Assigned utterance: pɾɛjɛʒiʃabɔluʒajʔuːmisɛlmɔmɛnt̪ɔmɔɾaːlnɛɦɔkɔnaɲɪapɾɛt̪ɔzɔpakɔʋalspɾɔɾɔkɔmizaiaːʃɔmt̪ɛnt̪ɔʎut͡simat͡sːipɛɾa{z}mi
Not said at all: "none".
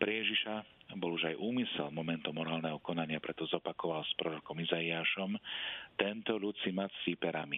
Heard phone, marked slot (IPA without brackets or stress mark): none